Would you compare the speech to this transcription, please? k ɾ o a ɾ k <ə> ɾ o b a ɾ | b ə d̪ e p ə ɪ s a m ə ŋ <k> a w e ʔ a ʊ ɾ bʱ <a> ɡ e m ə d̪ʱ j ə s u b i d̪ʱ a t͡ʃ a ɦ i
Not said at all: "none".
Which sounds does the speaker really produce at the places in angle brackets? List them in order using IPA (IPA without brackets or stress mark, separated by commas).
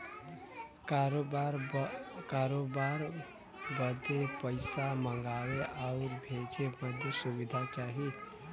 a, ɡ, e